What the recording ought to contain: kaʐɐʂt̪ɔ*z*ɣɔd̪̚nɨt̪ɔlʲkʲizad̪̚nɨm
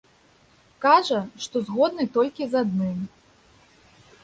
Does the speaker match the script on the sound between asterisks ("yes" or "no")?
yes